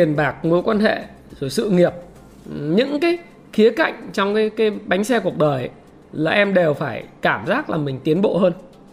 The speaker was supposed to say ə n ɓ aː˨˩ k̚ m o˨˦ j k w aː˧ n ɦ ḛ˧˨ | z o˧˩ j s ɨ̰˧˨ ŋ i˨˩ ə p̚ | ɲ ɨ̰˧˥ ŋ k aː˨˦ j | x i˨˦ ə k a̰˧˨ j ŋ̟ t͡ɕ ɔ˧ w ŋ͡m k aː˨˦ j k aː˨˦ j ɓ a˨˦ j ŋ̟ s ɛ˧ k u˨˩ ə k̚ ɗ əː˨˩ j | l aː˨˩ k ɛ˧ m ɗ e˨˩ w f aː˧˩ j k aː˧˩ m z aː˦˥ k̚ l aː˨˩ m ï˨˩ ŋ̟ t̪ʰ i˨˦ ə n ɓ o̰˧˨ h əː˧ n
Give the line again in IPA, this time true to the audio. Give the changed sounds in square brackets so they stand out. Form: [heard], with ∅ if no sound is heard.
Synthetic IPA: ə n ɓ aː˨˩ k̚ m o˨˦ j k w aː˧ n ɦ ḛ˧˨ | z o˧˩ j s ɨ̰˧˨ ŋ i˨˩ ə p̚ | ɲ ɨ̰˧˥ ŋ k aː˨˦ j | x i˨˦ ə k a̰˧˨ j ŋ̟ t͡ɕ ɔ˧ w ŋ͡m k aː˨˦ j k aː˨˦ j ɓ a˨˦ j ŋ̟ s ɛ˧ k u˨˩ ə k̚ ɗ əː˨˩ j | l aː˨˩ [ʔ] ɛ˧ m ɗ e˨˩ w f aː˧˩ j k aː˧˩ m z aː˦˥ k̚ l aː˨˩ m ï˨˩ ŋ̟ [t̪] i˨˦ ə n ɓ o̰˧˨ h əː˧ n